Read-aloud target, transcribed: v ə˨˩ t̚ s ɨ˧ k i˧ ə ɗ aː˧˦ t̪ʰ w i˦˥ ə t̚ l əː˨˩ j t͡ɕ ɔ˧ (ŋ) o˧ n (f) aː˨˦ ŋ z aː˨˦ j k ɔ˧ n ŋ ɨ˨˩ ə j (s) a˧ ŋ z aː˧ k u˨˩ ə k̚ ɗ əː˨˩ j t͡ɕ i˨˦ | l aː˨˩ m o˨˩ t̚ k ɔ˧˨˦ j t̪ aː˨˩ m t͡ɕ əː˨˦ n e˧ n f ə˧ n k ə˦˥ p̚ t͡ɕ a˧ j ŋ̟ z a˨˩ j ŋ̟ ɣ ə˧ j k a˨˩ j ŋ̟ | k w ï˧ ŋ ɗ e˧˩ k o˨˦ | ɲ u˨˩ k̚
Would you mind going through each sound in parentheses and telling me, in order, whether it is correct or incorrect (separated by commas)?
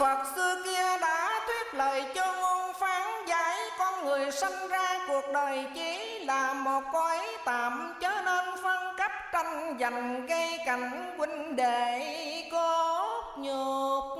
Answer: correct, correct, correct